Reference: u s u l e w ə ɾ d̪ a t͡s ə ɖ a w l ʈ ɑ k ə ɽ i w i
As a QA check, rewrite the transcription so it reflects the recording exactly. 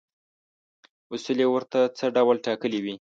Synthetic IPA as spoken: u s u l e w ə ɾ t̪ a t͡s ə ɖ a w l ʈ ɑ k ə l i w i